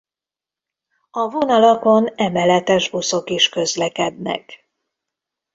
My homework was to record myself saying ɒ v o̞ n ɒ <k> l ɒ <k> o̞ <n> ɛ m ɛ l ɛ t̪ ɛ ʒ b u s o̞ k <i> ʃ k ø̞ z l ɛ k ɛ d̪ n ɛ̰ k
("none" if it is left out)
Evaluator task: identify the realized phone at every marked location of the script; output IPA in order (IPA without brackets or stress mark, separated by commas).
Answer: none, k, n, i